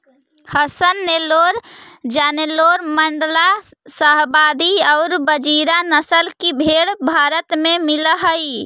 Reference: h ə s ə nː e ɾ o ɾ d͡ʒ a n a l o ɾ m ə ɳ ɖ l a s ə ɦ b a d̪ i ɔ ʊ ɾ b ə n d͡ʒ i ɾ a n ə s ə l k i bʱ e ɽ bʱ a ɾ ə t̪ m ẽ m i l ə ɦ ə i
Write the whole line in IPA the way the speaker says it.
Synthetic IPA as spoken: h ə s ə nː e l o ɾ d͡ʒ a n e l o ɾ m ə ɳ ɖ l a s ə ɦ b a d̪ i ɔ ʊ ɾ b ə d͡ʒ i ɾ a n ə s ə l k i bʱ e ɽ bʱ a ɾ ə t̪ m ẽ m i l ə ɦ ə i